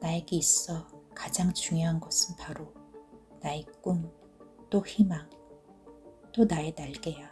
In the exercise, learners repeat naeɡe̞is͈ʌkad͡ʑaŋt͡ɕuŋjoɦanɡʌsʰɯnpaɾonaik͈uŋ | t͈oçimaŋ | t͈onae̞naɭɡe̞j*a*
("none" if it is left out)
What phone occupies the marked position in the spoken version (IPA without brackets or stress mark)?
a